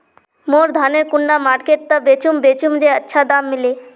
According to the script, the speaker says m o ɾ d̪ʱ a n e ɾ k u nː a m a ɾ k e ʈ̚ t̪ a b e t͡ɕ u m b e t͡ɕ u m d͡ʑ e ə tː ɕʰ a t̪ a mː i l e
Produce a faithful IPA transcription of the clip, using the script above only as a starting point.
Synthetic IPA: m o ɾ d̪ʱ a n e ɾ k u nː a m a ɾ k e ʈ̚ t̪ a b e t͡ɕ u m b e t͡ɕ u m d͡ʑ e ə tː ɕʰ a d̪ a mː i l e